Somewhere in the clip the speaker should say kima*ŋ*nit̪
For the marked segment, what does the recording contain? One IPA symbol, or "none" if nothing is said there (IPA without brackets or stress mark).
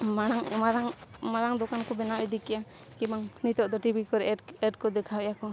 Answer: ŋ